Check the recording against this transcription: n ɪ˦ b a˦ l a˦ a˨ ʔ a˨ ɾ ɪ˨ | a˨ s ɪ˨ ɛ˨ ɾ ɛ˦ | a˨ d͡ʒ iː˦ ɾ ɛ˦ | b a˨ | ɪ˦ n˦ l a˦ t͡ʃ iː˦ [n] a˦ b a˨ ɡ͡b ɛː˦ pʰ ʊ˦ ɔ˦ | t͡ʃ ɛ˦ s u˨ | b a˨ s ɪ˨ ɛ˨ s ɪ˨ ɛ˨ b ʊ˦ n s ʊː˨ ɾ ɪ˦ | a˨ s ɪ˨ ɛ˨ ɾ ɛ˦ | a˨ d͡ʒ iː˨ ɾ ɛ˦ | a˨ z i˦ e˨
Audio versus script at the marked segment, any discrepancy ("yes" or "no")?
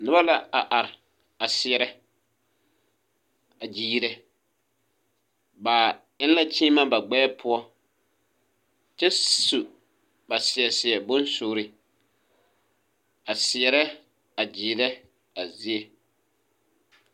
yes